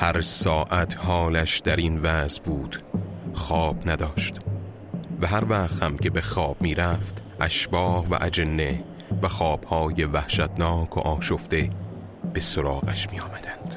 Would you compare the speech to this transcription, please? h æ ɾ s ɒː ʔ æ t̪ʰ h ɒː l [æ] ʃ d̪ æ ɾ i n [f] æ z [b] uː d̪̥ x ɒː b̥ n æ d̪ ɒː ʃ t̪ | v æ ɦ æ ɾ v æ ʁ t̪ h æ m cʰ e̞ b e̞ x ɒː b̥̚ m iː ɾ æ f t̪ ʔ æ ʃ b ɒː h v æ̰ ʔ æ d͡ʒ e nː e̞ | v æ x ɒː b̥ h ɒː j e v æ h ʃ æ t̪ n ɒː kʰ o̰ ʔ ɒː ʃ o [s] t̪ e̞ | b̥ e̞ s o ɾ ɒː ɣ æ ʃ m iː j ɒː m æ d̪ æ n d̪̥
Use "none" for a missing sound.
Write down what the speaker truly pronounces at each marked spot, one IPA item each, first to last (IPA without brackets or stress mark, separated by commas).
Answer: æ, v, b, f